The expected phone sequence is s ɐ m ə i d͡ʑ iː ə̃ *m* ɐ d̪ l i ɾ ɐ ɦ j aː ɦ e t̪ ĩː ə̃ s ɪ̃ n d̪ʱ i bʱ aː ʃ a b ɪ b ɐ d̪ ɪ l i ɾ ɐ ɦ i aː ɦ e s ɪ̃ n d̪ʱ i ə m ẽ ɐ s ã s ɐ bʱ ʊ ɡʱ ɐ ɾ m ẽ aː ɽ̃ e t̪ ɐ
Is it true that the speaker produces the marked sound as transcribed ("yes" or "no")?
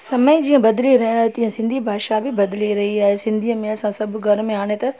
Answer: no